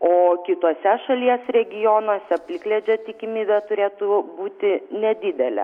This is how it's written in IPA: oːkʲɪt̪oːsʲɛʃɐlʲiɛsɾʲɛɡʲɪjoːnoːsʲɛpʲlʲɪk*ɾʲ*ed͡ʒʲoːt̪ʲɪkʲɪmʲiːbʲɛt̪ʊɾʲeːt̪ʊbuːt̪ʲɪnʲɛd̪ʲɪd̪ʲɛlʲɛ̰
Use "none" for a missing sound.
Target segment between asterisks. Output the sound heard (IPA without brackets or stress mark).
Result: lʲ